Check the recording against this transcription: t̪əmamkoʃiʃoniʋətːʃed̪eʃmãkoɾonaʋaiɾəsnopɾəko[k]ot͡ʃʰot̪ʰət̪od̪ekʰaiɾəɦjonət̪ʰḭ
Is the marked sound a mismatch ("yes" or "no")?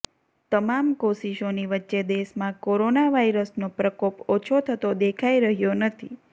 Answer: yes